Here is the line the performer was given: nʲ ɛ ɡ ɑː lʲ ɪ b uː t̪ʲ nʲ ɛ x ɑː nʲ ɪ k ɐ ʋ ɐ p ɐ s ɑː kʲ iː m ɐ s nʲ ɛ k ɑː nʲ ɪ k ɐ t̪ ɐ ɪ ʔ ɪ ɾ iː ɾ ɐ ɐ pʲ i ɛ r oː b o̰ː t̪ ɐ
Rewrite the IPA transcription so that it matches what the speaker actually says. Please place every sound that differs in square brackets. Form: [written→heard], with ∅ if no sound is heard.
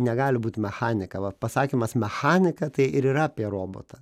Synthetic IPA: nʲ ɛ ɡ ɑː lʲ ɪ b uː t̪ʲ [nʲ→mʲ] ɛ x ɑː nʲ ɪ k ɐ ʋ ɐ p ɐ s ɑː kʲ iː m ɐ s [nʲ→mʲ] ɛ [k→x] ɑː nʲ ɪ k ɐ t̪ ɐ ɪ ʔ ɪ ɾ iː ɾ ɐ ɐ pʲ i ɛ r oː b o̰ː t̪ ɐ